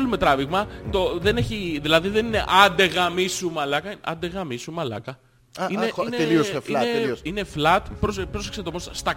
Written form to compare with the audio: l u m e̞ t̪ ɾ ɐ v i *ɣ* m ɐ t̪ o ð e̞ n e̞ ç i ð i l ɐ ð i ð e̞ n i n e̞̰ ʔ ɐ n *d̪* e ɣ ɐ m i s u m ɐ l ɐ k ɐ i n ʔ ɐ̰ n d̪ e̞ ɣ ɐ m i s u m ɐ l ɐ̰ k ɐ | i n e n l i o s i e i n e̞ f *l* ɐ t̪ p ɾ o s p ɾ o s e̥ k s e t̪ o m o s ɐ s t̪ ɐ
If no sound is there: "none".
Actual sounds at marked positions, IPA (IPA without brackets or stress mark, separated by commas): ɣ, d̪, l